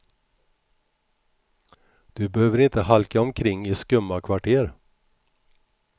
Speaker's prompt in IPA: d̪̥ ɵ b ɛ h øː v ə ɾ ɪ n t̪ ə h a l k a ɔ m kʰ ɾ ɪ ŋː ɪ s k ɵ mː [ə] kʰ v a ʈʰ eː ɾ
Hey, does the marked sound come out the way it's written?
no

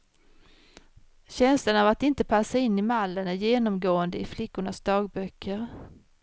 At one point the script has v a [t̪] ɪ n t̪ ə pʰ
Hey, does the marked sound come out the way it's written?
yes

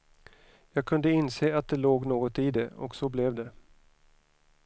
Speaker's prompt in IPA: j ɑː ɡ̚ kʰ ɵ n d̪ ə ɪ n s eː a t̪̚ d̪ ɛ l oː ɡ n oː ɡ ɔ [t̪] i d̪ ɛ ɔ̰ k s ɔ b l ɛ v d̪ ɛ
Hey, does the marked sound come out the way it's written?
yes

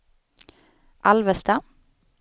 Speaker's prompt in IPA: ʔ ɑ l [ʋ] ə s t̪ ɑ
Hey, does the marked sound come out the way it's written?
yes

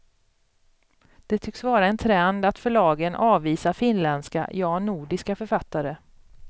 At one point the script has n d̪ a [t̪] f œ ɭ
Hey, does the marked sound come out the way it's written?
yes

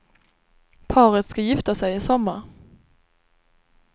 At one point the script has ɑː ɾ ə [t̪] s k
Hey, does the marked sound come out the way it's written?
yes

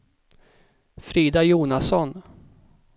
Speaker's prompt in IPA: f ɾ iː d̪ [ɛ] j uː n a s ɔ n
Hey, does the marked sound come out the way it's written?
no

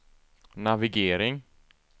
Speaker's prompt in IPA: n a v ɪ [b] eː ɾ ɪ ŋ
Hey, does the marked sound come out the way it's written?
no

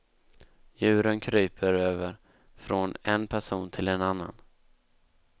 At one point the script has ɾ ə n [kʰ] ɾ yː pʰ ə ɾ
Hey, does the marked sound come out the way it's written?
yes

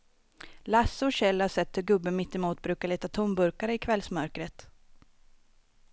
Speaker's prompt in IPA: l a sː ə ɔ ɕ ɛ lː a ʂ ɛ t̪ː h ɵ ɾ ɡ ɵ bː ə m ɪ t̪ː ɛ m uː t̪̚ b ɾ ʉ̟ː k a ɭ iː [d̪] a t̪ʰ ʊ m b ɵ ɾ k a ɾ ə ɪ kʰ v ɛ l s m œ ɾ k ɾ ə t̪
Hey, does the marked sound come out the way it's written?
no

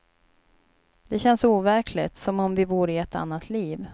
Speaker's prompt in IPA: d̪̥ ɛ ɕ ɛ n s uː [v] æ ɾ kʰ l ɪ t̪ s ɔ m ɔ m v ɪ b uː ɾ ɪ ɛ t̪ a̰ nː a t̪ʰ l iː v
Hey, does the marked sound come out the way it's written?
yes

